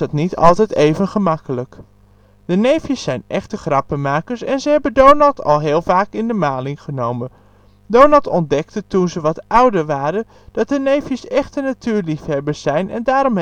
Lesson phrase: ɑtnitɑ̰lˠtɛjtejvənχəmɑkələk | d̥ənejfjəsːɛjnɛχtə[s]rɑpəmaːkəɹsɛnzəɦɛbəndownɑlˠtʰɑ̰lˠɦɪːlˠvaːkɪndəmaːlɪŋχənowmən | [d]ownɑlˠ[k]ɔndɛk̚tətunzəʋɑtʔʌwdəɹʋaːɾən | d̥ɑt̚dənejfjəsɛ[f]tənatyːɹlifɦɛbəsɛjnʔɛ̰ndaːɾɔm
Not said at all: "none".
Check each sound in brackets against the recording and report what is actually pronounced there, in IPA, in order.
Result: χ, d, t, χ

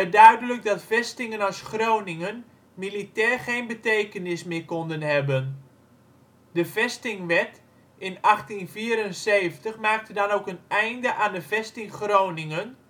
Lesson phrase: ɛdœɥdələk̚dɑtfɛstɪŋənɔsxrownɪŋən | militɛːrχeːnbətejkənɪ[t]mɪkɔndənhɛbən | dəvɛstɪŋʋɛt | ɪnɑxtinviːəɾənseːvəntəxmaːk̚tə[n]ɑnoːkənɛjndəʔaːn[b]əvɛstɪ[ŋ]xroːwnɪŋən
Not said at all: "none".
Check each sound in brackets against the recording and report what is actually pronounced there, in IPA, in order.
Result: s, d, d, ŋ

